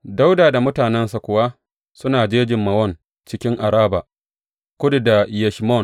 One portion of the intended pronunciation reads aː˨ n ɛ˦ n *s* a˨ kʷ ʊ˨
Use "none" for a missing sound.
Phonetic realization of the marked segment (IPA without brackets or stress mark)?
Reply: s